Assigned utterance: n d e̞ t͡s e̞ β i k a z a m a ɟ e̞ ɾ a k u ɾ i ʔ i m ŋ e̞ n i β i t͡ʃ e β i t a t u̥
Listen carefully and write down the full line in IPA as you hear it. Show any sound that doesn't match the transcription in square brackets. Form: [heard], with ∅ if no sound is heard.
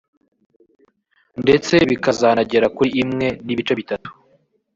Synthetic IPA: n d e̞ t͡s e̞ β i k a z a [n] a ɟ e̞ ɾ a k u ɾ i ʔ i m ŋ e̞ n i β i t͡ʃ e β i t a t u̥